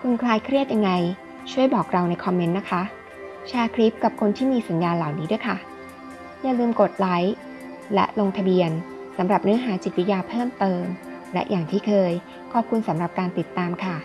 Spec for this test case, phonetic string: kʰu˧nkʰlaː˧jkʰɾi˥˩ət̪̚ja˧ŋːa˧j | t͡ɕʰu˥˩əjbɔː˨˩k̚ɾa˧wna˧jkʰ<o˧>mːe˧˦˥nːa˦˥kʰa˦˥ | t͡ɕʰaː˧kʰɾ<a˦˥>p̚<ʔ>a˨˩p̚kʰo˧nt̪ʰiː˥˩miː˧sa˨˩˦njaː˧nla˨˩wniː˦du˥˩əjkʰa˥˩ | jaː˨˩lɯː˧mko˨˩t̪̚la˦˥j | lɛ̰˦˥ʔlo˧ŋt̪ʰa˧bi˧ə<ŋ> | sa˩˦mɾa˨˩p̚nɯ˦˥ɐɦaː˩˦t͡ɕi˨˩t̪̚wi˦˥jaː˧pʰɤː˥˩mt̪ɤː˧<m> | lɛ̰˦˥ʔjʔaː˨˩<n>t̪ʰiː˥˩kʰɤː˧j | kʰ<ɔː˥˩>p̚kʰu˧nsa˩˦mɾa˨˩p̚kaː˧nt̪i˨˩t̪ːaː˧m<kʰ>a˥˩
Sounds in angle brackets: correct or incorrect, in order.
incorrect: ɔ˧, incorrect: i˦˥, incorrect: k, incorrect: n, correct, incorrect: ŋ, incorrect: ɔː˨˩, correct

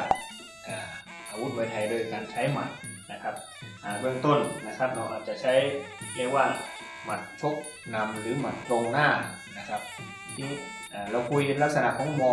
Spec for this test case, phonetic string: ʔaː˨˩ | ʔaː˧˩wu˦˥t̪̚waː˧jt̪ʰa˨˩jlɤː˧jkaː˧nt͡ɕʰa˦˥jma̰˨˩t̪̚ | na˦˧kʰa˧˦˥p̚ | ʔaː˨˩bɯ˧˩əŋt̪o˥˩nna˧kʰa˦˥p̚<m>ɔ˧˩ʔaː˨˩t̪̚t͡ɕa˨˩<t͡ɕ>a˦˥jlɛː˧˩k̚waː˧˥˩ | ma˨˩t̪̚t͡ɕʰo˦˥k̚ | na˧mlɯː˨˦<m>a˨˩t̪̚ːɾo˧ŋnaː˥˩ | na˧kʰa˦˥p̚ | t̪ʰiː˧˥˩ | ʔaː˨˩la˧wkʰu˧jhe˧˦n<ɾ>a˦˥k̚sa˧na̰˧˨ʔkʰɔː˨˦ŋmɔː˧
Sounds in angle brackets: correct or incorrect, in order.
incorrect: n, incorrect: t͡ɕʰ, correct, incorrect: l

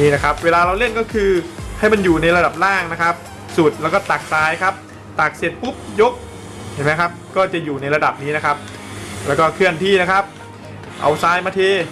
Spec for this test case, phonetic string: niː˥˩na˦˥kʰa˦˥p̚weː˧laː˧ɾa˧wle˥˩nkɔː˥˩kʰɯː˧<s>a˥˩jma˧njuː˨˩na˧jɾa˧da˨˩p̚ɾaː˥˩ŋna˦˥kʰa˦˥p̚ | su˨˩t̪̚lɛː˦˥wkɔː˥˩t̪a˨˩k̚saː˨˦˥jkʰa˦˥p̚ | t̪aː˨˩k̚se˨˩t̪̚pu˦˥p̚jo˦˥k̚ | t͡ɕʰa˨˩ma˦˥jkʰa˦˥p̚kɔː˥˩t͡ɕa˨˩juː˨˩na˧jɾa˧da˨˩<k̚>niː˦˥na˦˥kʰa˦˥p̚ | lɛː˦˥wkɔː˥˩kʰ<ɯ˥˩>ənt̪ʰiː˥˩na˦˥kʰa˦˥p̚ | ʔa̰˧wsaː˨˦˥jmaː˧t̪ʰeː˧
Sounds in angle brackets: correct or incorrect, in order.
incorrect: h, incorrect: p̚, correct

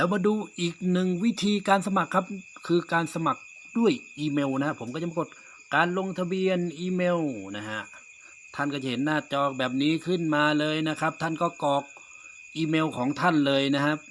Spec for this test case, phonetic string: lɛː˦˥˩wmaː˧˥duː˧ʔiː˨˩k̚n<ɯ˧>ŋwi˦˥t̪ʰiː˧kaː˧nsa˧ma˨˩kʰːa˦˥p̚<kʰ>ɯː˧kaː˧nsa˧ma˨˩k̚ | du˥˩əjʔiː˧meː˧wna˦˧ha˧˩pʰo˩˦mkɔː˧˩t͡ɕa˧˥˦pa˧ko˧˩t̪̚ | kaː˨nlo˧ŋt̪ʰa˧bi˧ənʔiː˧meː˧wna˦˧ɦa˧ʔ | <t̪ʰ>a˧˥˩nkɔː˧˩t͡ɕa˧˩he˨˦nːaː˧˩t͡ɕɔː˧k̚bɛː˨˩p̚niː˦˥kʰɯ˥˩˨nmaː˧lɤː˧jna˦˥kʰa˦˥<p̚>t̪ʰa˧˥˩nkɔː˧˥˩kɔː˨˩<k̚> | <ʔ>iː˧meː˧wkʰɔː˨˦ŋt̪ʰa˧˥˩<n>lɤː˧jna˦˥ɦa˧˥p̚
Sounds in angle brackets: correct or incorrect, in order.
incorrect: ɯ˨˩, correct, correct, correct, correct, correct, correct

